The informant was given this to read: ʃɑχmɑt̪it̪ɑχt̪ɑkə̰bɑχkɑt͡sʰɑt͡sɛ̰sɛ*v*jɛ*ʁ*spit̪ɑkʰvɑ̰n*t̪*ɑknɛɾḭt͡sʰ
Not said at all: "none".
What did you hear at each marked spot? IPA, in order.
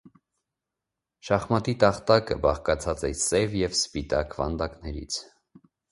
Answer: v, v, d̪

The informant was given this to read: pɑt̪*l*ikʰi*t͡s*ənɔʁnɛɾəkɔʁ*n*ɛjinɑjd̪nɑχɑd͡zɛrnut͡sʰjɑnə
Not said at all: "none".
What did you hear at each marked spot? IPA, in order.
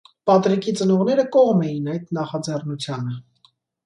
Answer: ɾ, t͡s, m

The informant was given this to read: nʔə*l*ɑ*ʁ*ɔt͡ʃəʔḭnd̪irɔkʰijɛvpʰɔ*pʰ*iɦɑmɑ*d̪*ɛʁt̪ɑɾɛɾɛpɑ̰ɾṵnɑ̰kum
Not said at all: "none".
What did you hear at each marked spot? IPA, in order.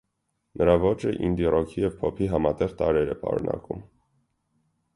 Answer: ɾ, v, pʰ, t̪

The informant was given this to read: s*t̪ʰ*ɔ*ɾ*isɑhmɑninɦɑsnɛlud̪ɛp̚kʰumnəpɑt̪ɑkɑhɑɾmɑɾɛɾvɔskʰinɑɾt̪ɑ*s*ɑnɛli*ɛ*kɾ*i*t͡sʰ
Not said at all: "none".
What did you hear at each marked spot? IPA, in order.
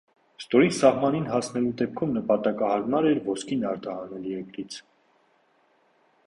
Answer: t̪, ɾ, h, ɛ, i

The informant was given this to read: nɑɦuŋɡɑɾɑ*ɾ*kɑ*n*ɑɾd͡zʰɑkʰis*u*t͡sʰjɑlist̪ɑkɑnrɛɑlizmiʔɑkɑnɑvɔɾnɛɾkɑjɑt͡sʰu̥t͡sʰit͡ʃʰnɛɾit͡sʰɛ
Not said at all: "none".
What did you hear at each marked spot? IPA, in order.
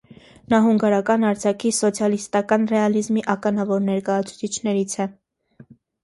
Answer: none, n, ɔ

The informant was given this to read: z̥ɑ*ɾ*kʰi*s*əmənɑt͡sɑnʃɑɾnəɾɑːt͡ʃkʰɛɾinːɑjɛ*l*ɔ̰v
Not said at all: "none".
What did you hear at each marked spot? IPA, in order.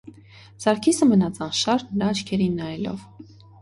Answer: ɾ, s, l

